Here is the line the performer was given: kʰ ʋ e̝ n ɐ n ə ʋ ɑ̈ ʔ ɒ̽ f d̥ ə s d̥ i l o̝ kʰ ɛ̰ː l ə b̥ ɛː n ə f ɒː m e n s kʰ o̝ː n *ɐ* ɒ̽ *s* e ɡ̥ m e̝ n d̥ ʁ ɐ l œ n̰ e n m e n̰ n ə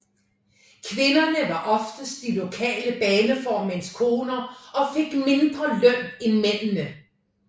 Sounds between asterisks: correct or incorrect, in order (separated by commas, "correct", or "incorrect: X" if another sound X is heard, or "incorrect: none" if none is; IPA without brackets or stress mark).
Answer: correct, incorrect: f